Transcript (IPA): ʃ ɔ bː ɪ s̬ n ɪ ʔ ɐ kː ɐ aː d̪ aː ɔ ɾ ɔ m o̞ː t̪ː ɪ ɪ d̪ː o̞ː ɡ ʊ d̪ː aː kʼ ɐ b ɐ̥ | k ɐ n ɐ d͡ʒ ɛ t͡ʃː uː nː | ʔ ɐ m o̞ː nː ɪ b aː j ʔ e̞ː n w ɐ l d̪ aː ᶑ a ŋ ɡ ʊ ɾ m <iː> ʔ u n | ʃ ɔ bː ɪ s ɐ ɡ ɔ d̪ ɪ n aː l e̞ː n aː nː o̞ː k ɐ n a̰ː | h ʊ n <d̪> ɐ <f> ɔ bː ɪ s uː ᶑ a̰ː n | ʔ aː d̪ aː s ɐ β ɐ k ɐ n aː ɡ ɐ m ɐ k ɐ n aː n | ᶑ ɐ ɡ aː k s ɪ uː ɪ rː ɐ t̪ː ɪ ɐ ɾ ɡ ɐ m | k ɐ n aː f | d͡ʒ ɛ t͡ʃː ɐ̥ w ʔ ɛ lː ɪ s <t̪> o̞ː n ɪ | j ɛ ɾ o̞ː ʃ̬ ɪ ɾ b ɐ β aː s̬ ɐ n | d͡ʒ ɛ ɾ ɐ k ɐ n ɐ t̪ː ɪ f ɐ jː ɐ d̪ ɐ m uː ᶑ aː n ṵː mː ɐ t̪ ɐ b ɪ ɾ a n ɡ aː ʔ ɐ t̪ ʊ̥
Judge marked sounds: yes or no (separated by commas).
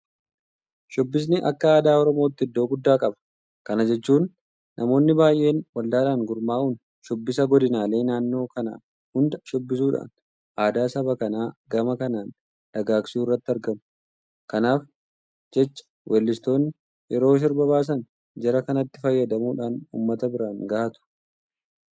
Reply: no, yes, no, yes